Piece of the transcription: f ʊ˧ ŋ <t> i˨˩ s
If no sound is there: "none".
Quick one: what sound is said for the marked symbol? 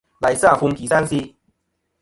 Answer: k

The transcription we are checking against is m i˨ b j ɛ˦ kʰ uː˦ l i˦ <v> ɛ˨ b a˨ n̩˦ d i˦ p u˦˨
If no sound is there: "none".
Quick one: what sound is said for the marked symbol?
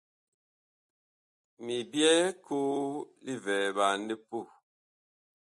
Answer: v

